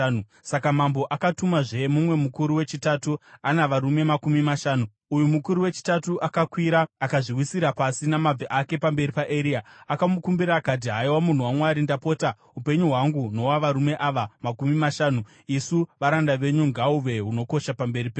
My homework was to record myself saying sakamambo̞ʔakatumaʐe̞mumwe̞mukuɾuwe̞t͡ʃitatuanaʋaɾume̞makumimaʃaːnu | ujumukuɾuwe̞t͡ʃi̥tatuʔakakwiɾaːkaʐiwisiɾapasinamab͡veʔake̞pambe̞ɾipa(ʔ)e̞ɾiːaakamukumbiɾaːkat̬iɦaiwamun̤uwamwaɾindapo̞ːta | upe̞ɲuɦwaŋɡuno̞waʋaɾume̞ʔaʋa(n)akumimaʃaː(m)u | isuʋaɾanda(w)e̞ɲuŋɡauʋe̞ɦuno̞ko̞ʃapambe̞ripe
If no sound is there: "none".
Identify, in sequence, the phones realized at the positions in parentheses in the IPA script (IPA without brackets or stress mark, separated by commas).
ʔ, m, n, ʋ